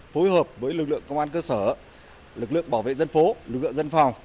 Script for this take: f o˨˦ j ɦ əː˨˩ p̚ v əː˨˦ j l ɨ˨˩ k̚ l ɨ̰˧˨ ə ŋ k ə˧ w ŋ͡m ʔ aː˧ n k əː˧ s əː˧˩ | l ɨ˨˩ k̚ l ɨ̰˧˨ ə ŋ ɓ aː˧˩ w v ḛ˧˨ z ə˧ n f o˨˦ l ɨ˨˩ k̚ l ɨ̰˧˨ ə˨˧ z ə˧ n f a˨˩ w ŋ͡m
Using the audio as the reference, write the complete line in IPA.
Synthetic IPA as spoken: f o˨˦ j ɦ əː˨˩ p̚ v əː˨˦ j l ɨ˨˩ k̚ l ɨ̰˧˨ ə ŋ k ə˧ w ŋ͡m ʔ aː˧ n k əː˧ s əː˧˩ | l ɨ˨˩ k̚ l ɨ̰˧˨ ə ŋ ɓ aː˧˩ w v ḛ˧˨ z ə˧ n f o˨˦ l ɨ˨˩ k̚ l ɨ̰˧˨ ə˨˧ z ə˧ n f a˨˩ w ŋ͡m

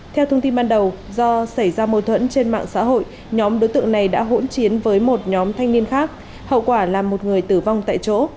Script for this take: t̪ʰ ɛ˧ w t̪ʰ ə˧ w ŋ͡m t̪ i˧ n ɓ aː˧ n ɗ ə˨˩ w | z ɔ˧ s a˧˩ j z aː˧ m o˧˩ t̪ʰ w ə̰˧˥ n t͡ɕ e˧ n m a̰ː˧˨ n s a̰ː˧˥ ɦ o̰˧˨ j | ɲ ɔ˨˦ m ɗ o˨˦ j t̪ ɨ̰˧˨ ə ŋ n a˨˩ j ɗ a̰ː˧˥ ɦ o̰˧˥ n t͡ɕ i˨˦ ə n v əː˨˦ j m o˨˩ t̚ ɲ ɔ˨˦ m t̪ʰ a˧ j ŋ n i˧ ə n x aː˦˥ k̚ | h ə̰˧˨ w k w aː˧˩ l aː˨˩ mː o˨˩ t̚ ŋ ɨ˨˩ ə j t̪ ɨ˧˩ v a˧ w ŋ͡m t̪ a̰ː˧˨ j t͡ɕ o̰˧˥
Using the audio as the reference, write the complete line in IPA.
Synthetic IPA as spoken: t̪ʰ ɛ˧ w t̪ʰ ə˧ w ŋ͡m t̪ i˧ n ɓ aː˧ n ɗ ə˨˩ w | z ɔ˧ s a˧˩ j z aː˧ m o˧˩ t̪ʰ w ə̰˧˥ n t͡ɕ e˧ n m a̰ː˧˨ ŋ s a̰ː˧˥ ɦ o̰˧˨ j | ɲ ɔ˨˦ m ɗ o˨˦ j t̪ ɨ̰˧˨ ə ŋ n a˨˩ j ɗ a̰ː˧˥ ɦ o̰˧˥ n t͡ɕ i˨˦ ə n v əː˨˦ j m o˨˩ t̚ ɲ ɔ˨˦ m t̪ʰ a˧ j ŋ n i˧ ə n x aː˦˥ k̚ | h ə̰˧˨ w k w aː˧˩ l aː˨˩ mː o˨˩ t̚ ŋ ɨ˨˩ ə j t̪ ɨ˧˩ v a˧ w ŋ͡m t̪ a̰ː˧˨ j t͡ɕ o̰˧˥

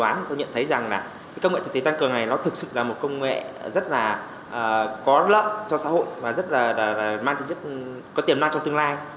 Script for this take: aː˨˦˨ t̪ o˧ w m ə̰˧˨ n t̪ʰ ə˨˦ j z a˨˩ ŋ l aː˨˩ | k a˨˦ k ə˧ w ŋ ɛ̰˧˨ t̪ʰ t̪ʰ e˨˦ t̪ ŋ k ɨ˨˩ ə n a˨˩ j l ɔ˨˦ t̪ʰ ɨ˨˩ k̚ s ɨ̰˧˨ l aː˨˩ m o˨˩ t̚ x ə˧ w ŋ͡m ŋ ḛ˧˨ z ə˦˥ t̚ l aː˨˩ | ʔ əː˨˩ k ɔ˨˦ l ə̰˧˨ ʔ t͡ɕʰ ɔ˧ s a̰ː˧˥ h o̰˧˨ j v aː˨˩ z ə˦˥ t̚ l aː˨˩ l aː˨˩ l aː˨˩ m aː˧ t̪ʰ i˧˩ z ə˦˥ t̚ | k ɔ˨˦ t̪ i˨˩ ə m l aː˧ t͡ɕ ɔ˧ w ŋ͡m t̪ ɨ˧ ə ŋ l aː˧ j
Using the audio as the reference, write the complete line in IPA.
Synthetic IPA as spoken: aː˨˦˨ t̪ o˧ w ɲ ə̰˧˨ n t̪ʰ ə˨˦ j z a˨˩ ŋ l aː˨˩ | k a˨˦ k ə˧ w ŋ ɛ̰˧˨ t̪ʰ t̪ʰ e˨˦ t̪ ŋ k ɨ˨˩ ə n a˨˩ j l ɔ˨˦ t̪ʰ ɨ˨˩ k̚ s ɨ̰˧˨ l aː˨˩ m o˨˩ t̚ k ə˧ w ŋ͡m ŋ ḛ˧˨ z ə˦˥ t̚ l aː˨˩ | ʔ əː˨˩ k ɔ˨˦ l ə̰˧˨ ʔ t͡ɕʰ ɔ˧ s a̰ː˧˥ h o̰˧˨ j v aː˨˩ z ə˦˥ t̚ l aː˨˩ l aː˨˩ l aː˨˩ m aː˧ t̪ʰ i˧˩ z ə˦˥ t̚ | k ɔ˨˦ t̪ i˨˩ ə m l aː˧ t͡ɕ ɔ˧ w ŋ͡m t̪ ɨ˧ ə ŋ l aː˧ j

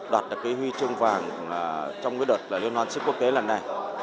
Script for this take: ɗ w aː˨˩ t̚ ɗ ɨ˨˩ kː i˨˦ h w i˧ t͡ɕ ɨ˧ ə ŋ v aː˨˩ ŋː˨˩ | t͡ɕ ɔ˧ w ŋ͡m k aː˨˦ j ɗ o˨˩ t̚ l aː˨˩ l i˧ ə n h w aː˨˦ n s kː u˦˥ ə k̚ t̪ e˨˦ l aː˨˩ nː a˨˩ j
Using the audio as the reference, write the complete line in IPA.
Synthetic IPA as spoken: ɗ w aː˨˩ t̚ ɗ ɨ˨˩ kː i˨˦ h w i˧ t͡ɕ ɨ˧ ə ŋ v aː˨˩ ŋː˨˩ | t͡ɕ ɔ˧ w ŋ͡m k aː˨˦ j ɗ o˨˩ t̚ l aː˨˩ l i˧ ə n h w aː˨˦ n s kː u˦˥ ə k̚ t̪ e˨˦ l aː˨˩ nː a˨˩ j

